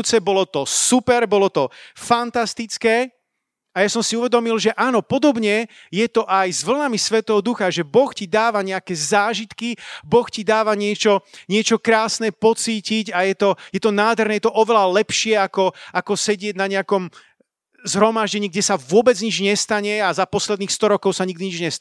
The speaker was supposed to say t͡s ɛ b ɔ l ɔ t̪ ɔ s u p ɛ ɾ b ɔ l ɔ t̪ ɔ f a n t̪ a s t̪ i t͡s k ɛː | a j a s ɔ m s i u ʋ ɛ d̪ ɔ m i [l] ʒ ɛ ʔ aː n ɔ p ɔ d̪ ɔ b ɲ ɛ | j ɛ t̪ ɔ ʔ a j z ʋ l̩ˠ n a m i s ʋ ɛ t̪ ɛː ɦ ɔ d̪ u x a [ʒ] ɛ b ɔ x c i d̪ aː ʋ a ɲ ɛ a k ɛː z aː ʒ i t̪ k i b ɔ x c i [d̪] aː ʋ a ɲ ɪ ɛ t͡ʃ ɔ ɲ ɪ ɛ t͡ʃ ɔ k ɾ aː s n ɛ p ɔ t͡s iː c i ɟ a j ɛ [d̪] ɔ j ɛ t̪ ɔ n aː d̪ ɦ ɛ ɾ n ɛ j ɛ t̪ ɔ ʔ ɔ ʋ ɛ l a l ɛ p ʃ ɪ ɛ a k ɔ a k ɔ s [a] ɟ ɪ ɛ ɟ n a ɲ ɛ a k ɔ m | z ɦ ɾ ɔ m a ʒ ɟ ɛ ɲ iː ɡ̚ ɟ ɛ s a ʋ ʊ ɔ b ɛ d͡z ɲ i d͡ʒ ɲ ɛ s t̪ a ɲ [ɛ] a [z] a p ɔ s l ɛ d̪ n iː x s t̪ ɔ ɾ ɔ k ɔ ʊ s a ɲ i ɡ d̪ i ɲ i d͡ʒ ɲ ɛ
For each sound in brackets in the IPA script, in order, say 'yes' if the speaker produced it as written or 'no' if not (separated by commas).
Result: yes, yes, yes, no, no, yes, yes